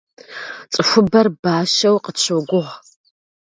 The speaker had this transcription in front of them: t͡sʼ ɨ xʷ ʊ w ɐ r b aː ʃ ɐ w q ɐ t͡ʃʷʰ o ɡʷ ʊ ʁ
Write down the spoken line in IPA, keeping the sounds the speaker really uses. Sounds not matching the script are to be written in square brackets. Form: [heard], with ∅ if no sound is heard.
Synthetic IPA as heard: t͡sʼ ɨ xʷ ʊ [b] ɐ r b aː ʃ ɐ w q [ə] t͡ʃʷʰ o ɡʷ ʊ ʁ